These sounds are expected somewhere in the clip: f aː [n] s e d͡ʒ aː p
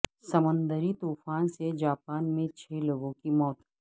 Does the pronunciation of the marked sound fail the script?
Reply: no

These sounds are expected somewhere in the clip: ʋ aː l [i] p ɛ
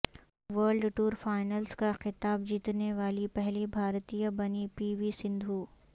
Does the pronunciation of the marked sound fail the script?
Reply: no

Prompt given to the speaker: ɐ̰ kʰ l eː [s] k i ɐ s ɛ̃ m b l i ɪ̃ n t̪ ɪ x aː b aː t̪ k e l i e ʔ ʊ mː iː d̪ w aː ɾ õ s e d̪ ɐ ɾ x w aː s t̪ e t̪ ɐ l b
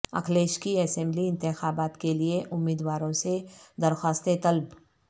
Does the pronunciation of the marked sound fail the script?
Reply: yes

